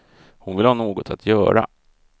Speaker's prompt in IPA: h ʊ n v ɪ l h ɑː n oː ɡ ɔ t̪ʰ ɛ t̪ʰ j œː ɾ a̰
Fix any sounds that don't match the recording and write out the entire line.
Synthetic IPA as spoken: h ʊ n v ɪ l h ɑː n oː ɡ ɔ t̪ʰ a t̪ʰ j œː ɾ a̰